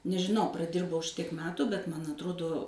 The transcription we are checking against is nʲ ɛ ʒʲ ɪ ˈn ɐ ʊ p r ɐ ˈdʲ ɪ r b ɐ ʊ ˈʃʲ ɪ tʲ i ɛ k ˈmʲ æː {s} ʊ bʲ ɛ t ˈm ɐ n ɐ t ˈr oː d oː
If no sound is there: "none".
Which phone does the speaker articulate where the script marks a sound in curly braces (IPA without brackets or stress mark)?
t